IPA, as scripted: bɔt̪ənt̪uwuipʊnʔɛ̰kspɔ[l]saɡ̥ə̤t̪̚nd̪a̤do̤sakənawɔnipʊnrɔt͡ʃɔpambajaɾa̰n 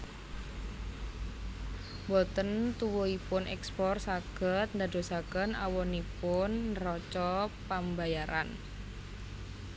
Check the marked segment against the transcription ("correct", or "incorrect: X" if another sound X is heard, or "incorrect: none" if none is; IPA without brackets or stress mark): incorrect: r